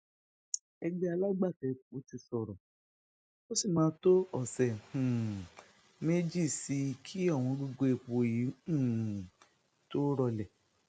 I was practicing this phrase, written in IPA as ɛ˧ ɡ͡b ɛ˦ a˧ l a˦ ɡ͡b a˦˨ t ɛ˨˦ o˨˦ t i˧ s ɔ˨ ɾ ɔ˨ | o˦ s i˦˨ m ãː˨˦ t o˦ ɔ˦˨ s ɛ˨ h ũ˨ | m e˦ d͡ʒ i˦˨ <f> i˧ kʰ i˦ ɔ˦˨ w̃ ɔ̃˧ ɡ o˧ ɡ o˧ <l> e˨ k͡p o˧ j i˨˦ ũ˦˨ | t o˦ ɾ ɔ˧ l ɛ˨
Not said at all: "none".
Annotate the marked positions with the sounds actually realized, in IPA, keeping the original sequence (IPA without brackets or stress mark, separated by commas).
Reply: s, none